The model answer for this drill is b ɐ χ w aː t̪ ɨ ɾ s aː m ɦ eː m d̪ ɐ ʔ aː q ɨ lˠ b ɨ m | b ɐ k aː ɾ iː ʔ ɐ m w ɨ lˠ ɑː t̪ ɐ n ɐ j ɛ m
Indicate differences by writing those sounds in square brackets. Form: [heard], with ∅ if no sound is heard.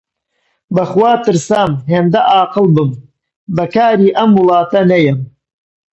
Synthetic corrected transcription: b ɐ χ w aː t̪ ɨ ɾ s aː m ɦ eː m d̪ ɐ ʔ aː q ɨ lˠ b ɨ m | b ɐ k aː ɾ iː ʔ ɐ m w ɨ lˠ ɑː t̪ ɐ n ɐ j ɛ m